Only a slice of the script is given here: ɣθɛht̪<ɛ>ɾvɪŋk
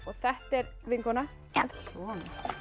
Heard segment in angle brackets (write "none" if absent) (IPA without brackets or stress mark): ɛ